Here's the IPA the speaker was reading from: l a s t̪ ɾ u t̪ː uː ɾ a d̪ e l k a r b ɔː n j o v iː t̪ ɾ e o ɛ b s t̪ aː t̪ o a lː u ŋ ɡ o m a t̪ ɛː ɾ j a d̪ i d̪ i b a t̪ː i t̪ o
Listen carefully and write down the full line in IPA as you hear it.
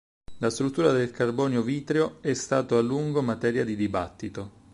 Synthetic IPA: l a s t̪ ɾ u t̪ː uː ɾ a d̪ e l k a r b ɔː n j o v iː t̪ ɾ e o ɛ s t̪ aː t̪ o a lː u ŋ ɡ o m a t̪ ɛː ɾ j a d̪ i d̪ i b a t̪ː i t̪ o